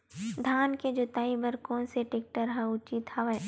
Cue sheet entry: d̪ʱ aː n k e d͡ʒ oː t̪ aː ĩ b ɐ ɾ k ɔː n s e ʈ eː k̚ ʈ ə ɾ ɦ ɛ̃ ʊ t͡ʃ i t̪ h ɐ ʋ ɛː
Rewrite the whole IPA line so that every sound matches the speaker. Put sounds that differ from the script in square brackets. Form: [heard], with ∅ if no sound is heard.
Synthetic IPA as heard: d̪ʱ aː n k e d͡ʒ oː t̪ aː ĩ b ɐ ɾ k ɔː n s e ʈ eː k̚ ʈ ə ɾ ɦ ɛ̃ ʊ t͡ʃ i t̪ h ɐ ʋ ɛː